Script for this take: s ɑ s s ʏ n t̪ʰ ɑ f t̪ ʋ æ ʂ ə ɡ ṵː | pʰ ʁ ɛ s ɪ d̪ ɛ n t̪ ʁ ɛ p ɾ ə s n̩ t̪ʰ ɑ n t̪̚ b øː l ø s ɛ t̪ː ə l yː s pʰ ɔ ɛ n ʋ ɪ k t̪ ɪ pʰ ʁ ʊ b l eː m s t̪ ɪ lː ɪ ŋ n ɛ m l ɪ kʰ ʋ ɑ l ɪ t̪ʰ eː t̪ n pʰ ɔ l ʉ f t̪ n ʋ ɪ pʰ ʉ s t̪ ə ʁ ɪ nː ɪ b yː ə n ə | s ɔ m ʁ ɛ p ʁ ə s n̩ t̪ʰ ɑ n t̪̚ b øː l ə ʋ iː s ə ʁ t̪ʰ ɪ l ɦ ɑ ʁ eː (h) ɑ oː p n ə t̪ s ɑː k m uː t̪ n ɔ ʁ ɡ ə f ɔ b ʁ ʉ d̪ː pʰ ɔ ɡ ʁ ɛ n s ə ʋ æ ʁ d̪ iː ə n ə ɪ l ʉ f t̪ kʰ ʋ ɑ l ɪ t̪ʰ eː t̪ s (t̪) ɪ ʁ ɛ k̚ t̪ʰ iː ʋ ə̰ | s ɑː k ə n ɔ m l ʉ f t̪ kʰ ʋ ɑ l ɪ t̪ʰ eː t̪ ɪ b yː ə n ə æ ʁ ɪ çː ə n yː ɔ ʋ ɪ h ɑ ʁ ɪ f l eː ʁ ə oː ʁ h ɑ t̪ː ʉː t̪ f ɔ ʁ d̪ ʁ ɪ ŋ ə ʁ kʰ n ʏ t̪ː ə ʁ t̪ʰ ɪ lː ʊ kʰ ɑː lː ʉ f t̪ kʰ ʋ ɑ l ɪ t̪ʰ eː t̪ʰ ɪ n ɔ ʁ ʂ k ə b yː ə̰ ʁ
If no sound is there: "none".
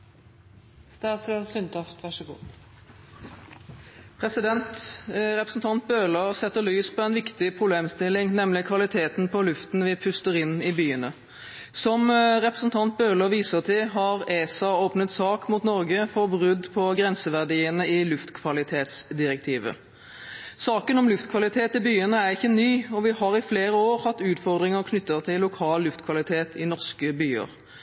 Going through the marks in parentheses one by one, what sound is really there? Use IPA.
s, d̪

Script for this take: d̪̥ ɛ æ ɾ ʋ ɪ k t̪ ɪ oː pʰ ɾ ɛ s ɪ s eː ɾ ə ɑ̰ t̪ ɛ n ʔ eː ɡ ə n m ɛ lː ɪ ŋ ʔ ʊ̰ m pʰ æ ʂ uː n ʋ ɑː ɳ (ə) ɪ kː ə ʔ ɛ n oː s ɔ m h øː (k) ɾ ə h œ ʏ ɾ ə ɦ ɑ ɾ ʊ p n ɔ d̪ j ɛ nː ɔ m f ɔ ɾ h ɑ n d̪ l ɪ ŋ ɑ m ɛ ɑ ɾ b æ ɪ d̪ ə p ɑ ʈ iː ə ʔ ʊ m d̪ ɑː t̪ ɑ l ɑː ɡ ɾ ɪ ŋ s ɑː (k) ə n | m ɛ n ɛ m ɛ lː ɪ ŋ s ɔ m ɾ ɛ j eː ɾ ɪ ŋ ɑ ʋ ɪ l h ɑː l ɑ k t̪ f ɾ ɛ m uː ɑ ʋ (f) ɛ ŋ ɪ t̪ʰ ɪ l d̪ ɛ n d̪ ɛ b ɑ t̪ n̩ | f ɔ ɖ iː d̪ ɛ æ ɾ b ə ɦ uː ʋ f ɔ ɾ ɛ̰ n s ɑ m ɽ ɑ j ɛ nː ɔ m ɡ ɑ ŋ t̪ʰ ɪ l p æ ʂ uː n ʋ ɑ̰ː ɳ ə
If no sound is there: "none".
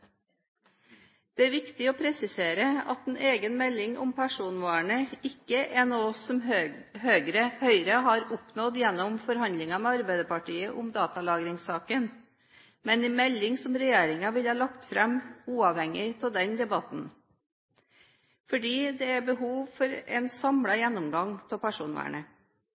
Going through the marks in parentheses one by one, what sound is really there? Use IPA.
ə, ɡ, k, h

